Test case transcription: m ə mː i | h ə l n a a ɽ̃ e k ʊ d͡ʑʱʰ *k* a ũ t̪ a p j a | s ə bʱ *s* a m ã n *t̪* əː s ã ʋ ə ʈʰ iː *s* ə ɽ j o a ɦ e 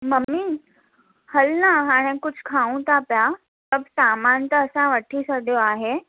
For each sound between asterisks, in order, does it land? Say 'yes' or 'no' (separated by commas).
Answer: no, yes, yes, yes